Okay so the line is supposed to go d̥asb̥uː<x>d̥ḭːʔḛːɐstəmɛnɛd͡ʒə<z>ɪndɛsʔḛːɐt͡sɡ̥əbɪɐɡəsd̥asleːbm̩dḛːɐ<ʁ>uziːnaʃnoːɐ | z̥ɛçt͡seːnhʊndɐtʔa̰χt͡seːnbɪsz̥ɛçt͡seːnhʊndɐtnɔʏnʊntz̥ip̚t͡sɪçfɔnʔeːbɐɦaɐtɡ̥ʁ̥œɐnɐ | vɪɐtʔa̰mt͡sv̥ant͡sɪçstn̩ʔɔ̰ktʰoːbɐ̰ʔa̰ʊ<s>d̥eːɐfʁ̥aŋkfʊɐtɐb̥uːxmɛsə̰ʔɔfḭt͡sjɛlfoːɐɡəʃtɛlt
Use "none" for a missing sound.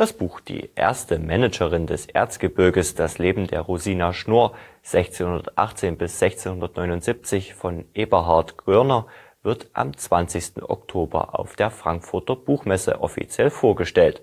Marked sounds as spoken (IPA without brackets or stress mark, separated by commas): x, ʁ, ʁ, f